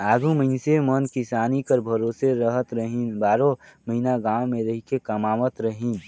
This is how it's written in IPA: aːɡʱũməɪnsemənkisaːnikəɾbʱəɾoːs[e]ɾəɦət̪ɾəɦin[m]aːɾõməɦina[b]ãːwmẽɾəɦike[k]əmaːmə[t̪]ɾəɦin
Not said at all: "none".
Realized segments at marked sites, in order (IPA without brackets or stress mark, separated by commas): e, b, ɡ, k, t̪